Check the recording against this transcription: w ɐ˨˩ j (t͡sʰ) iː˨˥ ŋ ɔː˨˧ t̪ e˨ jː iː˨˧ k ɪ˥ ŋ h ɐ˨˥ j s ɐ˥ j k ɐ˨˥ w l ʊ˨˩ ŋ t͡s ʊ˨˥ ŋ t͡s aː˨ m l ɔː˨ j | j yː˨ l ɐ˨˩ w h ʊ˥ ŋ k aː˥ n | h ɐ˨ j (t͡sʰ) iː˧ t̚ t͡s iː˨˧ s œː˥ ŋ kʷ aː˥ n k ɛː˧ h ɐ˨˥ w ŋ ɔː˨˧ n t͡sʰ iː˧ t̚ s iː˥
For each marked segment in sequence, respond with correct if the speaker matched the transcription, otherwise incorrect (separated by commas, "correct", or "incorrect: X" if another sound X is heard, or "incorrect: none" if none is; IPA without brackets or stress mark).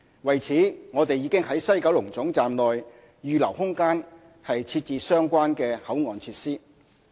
correct, correct